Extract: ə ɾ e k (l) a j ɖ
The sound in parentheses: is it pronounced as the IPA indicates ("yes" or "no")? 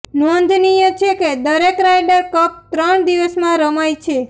no